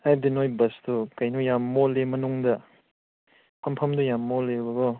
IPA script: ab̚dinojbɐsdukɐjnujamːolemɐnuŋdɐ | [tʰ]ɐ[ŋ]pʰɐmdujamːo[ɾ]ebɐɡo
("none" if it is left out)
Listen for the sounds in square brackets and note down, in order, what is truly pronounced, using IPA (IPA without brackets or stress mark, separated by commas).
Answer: pʰ, m, l